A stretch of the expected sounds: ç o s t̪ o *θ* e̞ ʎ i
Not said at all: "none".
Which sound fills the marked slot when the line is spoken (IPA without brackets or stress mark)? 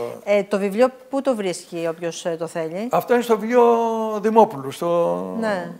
θ